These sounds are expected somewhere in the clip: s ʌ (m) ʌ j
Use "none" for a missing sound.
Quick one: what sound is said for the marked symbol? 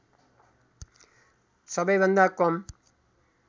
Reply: b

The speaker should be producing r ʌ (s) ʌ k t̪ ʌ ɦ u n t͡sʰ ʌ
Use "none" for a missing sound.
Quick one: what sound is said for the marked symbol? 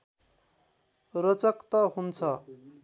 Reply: t͡s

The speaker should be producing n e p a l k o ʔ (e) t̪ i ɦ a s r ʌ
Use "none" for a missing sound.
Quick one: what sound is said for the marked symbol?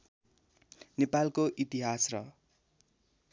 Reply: i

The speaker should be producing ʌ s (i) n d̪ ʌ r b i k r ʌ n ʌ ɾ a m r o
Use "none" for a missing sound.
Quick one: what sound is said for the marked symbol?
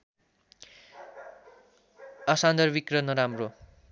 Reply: a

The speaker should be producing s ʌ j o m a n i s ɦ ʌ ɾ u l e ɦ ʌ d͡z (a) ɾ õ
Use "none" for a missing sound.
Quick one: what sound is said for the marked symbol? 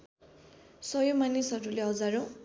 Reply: a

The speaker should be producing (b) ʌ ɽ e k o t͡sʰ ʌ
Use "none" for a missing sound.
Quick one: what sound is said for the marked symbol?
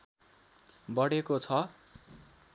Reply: b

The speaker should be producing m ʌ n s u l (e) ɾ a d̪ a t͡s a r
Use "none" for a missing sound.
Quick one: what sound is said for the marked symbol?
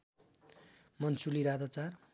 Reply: i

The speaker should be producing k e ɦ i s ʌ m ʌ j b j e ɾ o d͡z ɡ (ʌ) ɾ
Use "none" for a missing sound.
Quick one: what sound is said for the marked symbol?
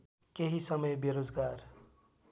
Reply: a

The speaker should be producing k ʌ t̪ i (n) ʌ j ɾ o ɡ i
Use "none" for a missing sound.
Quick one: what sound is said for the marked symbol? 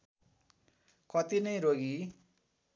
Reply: n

